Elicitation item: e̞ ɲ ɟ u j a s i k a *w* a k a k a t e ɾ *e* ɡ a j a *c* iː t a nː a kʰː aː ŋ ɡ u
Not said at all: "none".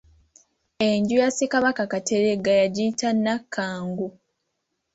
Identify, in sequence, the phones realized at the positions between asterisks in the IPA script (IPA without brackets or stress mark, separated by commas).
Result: β, e, ɟ